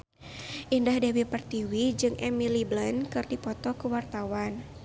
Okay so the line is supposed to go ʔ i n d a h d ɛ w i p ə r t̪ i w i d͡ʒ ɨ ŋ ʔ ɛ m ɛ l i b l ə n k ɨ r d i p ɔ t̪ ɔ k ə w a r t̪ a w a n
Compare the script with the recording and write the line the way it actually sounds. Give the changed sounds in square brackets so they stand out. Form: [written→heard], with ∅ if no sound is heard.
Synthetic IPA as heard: ʔ i n d a h d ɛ w i p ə r t̪ i w i d͡ʒ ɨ ŋ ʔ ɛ m [ɛ→i] l i b l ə n k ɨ r d i p ɔ t̪ ɔ k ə w a r t̪ a w a n